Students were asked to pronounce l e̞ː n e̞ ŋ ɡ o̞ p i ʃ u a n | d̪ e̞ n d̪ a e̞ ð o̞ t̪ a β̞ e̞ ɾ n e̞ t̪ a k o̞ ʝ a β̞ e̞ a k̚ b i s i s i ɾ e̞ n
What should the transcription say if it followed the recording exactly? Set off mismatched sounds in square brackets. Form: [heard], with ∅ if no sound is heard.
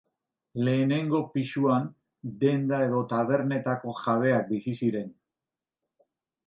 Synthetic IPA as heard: l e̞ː n e̞ ŋ ɡ o̞ p i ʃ u a n | d̪ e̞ n d̪ a e̞ ð o̞ t̪ a β̞ e̞ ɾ n e̞ t̪ a k o̞ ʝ a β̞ e̞ a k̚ b i s i s i ɾ e̞ n

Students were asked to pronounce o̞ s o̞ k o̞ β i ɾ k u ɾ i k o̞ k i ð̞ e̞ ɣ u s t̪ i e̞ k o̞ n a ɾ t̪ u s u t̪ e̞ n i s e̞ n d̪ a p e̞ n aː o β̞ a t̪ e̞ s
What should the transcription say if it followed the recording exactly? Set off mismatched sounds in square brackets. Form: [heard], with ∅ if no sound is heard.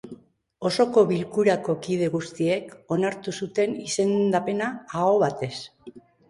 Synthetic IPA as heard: o̞ s o̞ k o̞ β i [l] k u ɾ [a] k o̞ k i ð̞ e̞ ɣ u s t̪ i e̞ k o̞ n a ɾ t̪ u s u t̪ e̞ n i s e̞ n d̪ a p e̞ n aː o β̞ a t̪ e̞ s

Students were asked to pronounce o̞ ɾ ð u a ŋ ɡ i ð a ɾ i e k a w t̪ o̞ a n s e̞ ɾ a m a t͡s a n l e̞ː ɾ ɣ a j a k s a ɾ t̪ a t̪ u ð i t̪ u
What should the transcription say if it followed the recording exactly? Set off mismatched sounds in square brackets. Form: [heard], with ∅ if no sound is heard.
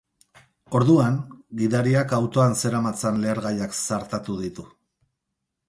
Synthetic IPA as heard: o̞ ɾ ð u a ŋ ɡ i ð a ɾ i [a] k a w t̪ o̞ a n s e̞ ɾ a m a t͡s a n l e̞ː ɾ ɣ a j a k s a ɾ t̪ a t̪ u ð i t̪ u

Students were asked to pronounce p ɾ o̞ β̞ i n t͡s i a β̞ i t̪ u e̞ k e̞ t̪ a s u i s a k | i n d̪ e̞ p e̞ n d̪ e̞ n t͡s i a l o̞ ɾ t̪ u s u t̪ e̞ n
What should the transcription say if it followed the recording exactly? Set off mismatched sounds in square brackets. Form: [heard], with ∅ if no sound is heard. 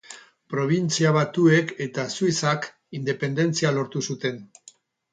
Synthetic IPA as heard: p ɾ o̞ β̞ i n t͡s i a β̞ [a] t̪ u e̞ k e̞ t̪ a s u i s a k | i n d̪ e̞ p e̞ n d̪ e̞ n t͡s i a l o̞ ɾ t̪ u s u t̪ e̞ n

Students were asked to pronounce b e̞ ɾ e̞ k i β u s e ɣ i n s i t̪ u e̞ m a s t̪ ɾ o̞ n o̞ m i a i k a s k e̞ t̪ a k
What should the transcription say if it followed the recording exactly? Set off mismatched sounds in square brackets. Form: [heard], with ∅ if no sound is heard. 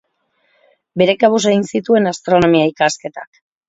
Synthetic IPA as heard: b e̞ ɾ e̞ k [a] β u s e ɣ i n s i t̪ u e̞ [n] a s t̪ ɾ o̞ n o̞ m i a i k a s k e̞ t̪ a k

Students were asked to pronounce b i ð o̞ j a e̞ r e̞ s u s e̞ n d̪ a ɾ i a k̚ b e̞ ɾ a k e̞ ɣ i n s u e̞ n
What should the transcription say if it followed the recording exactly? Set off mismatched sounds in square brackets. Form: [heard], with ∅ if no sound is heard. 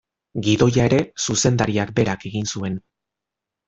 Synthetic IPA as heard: [ɡ] i ð o̞ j a e̞ [ɾ] e̞ s u s e̞ n d̪ a ɾ i a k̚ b e̞ ɾ a k e̞ ɣ i n s u e̞ n

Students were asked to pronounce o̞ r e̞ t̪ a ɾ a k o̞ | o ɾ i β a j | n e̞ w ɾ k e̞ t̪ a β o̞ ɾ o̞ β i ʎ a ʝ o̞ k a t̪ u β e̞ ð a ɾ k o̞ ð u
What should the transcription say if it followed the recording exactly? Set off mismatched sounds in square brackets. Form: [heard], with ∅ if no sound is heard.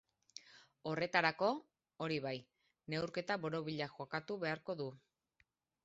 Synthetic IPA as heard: o̞ r e̞ t̪ a ɾ a k o̞ | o ɾ i β a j | n e̞ w ɾ k e̞ t̪ a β o̞ ɾ o̞ β i ʎ a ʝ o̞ k a t̪ u β e̞ [∅] a ɾ k o̞ ð u

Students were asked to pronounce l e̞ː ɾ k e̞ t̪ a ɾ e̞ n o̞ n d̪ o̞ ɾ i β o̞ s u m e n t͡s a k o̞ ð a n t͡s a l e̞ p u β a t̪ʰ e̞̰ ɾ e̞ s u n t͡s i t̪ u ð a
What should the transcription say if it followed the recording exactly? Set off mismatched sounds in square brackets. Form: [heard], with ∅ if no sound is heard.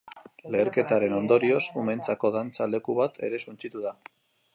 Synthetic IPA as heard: l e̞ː ɾ k e̞ t̪ a ɾ e̞ n o̞ n d̪ o̞ ɾ i [∅] o̞ s u m e n t͡s a k o̞ ð a n t͡s a l e̞ [k] u β a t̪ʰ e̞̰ ɾ e̞ s u n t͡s i t̪ u ð a

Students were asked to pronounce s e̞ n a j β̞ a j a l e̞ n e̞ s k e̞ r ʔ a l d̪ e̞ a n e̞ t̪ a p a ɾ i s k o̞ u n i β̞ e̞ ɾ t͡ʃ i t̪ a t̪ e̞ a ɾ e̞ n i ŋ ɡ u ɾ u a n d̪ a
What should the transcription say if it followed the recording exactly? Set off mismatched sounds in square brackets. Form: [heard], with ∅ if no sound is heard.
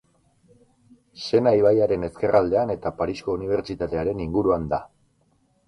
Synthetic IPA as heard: s e̞ n a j β̞ a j a [ɾ] e̞ n e̞ s k e̞ r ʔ a l d̪ e̞ a n e̞ t̪ a p a ɾ i s k o̞ u n i β̞ e̞ ɾ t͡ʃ i t̪ a t̪ e̞ a ɾ e̞ n i ŋ ɡ u ɾ u a n d̪ a

